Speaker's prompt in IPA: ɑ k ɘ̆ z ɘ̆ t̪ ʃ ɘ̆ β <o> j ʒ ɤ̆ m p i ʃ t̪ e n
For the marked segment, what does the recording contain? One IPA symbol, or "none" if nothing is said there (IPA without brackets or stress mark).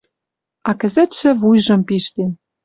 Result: u